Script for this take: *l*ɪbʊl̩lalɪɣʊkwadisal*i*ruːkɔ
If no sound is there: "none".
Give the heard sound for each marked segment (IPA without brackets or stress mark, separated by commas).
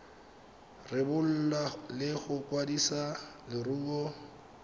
r, ɪ